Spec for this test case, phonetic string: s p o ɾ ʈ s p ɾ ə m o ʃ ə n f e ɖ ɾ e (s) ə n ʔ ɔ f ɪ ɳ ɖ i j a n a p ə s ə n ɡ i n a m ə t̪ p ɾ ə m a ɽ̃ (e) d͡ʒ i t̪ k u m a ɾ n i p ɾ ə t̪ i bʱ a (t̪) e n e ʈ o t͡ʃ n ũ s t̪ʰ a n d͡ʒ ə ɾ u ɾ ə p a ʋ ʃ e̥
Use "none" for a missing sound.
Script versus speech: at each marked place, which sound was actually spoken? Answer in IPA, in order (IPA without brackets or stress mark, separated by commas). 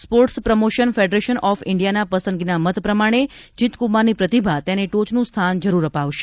ʃ, e, t̪